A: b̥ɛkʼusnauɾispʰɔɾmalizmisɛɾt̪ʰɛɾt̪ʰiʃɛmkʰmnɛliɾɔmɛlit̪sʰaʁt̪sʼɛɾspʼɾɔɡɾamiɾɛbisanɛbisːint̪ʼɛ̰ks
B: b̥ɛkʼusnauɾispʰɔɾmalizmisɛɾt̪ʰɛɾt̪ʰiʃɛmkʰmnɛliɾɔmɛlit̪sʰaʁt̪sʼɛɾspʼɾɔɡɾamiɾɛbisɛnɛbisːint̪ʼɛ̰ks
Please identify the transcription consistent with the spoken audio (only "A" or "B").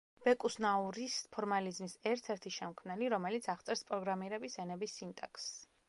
B